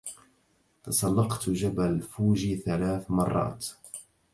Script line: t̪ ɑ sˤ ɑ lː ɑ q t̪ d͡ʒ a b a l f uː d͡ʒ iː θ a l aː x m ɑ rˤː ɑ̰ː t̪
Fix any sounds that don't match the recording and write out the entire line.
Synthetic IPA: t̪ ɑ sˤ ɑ lː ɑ q t̪ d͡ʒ a b a l f uː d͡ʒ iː θ a l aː θ m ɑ rˤː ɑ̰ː t̪